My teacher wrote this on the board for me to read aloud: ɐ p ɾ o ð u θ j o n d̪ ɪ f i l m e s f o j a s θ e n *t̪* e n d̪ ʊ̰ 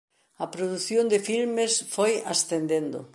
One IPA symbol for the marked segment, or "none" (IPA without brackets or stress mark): d̪